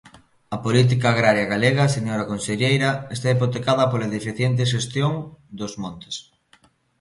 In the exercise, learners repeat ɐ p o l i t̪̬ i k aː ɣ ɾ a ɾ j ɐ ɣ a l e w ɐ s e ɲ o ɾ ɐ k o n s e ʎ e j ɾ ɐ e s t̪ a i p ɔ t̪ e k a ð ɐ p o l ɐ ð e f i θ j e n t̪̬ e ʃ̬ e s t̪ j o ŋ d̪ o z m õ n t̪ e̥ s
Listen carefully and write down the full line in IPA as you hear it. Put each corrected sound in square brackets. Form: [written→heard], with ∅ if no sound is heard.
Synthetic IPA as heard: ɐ p o l i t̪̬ i k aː ɣ ɾ a ɾ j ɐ ɣ a l e [w→ɣ] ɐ s e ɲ o ɾ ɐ k o n s e ʎ e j ɾ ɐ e s t̪ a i p [ɔ→o] t̪ e k a ð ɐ p o l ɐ ð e f i θ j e n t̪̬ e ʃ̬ e s t̪ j o ŋ d̪ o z m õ n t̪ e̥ s

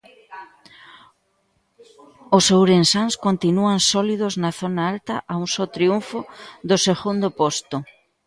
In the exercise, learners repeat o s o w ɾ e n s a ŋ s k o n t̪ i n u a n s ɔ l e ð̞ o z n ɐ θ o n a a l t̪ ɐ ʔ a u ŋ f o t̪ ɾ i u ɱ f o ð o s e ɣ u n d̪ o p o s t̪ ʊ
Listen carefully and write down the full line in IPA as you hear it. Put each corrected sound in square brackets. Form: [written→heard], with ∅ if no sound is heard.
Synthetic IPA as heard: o s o w ɾ e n s a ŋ s k o n t̪ i n u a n s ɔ l [e→i] ð̞ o z n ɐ θ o n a a l t̪ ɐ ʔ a u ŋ [f→s] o t̪ ɾ i u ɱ f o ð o s e ɣ u n d̪ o p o s t̪ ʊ

